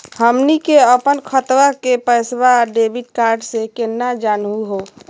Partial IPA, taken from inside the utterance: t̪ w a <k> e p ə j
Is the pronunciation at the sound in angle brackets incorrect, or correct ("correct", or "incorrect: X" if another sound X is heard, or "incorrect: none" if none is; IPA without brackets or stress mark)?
correct